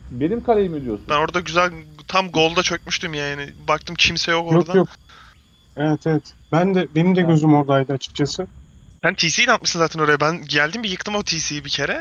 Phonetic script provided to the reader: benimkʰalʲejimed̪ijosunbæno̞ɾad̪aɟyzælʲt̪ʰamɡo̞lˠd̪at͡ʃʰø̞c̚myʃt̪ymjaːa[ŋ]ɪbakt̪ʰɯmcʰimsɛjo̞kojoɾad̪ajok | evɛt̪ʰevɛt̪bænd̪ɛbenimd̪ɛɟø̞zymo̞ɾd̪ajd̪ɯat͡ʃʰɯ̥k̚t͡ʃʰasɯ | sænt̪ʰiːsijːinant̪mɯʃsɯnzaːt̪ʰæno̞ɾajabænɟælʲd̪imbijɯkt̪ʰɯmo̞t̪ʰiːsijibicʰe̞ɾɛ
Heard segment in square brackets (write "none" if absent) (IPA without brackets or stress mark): n